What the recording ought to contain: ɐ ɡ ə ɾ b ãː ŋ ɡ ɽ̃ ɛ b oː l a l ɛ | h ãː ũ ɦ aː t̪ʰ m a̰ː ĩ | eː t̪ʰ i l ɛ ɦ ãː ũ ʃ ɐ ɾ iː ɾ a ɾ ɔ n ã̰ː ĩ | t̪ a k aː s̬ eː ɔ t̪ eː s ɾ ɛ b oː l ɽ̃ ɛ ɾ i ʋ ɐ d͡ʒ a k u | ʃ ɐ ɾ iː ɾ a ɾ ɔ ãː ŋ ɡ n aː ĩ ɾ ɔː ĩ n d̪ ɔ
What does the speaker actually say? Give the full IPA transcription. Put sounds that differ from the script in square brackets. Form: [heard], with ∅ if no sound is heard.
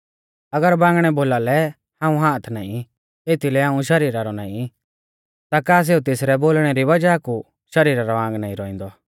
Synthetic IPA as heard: ɐ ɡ ə ɾ b ãː ŋ ɡ ɽ̃ ɛ b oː l a l ɛ | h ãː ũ ɦ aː t̪ʰ [n] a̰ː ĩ | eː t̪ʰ i l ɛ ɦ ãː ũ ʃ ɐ ɾ iː ɾ a ɾ ɔ n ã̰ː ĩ | t̪ a k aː s̬ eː [u] t̪ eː s ɾ ɛ b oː l ɽ̃ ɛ ɾ i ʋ ɐ d͡ʒ a k u | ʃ ɐ ɾ iː ɾ a ɾ ɔ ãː ŋ ɡ n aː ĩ ɾ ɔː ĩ n d̪ ɔ

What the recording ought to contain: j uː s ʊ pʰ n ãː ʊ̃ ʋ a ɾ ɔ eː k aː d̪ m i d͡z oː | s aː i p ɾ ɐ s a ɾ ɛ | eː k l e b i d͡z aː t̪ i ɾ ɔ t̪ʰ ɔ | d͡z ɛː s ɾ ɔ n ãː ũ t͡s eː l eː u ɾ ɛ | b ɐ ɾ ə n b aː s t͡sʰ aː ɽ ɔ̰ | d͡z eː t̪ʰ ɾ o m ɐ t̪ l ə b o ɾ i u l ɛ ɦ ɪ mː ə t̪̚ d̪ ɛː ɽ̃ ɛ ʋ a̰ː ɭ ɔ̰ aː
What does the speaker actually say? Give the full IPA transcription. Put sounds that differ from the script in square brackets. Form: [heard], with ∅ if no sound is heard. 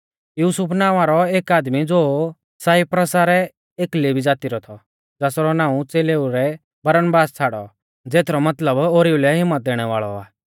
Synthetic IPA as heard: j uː s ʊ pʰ n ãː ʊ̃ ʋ a ɾ ɔ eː k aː d̪ m i d͡z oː | s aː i p ɾ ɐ s a ɾ ɛ | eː k l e b i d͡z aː t̪ i ɾ ɔ t̪ʰ ɔ | d͡z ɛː s ɾ ɔ n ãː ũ t͡s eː l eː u ɾ ɛ | b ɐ ɾ ə n b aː s t͡sʰ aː ɽ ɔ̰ | d͡z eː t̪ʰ ɾ [ɔ] m ɐ t̪ l ə b o ɾ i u l ɛ ɦ ɪ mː ə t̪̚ d̪ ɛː ɽ̃ ɛ ʋ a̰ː ɭ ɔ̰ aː

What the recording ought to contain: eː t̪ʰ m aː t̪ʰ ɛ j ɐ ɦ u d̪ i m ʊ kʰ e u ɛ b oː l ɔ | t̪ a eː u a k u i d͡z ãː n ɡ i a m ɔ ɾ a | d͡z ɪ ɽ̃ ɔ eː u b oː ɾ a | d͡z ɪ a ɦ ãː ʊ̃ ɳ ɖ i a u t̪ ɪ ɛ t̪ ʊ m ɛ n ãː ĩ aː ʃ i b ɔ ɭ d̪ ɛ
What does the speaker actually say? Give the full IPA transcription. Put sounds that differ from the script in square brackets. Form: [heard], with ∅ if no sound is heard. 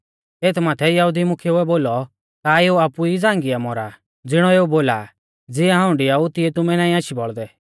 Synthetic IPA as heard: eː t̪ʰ m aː t̪ʰ ɛ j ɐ ɦ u d̪ i m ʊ kʰ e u ɛ b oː l ɔ | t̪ a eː u a [p] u i d͡z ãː [ŋ] ɡ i a m ɔ ɾ a | d͡z ɪ ɽ̃ ɔ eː u b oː [l] a | d͡z ɪ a ɦ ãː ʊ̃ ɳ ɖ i a u t̪ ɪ ɛ t̪ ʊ m ɛ n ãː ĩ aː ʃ i b ɔ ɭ d̪ ɛ

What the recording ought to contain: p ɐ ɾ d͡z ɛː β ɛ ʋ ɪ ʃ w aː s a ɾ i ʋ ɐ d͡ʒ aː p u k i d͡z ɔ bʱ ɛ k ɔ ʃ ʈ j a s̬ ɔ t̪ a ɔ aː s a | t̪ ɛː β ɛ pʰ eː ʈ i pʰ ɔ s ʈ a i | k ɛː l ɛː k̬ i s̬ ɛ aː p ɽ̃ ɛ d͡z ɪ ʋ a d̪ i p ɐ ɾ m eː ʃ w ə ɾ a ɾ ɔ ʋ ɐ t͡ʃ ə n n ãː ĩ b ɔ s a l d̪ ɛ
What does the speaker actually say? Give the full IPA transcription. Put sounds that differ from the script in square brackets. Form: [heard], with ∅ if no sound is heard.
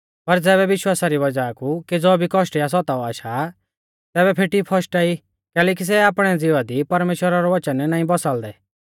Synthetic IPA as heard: p ɐ ɾ d͡z ɛː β ɛ ʋ ɪ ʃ w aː s a ɾ i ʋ ɐ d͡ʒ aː [k] u k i d͡z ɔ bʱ [i] k ɔ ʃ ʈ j a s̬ ɔ t̪ a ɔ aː [ʃ] a | t̪ ɛː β ɛ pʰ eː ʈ i pʰ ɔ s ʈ a i | k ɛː l ɛː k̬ i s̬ ɛ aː p ɽ̃ ɛ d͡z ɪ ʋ a d̪ i p ɐ ɾ m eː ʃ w ə ɾ a ɾ ɔ ʋ ɐ t͡ʃ ə n n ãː ĩ b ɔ s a l d̪ ɛ

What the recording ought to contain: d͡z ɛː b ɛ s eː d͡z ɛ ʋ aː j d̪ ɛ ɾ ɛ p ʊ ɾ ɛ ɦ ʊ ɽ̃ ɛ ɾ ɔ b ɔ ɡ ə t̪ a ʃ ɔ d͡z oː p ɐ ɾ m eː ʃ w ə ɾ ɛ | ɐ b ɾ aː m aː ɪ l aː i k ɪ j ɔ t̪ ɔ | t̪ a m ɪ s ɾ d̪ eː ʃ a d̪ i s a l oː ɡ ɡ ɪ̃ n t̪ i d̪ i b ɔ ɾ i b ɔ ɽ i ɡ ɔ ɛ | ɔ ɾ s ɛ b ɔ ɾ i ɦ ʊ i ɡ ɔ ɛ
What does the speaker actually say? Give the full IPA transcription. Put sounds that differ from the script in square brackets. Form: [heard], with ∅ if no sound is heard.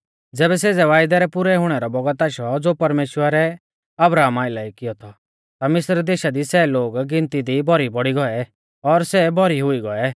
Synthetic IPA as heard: d͡z ɛː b ɛ s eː d͡z ɛ ʋ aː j d̪ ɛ ɾ ɛ p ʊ ɾ ɛ ɦ ʊ ɽ̃ ɛ ɾ ɔ b ɔ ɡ ə t̪ a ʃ ɔ d͡z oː p ɐ ɾ m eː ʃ w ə ɾ ɛ | ɐ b ɾ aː m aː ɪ l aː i k ɪ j ɔ [t̪ʰ] ɔ | t̪ a m ɪ s ɾ d̪ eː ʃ a d̪ i s [ɛ] l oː ɡ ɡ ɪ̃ n t̪ i d̪ i b ɔ ɾ i b ɔ ɽ i ɡ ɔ ɛ | ɔ ɾ s ɛ b ɔ ɾ i ɦ ʊ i ɡ ɔ ɛ

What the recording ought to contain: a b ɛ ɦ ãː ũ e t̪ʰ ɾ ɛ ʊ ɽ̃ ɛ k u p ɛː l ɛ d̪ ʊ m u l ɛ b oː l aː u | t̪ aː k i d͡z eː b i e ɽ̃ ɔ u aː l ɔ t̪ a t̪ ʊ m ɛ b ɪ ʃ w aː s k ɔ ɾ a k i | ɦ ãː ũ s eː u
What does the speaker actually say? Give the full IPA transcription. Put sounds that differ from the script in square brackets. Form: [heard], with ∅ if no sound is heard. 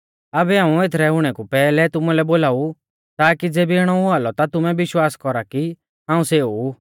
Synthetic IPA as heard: a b ɛ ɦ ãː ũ e t̪ʰ ɾ ɛ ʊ ɽ̃ ɛ k u p ɛː l ɛ [t̪] ʊ m u l ɛ b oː l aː u | t̪ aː k i d͡z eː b i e ɽ̃ ɔ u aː l ɔ t̪ a t̪ ʊ m ɛ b ɪ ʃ w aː s k ɔ ɾ a k i | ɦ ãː ũ s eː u

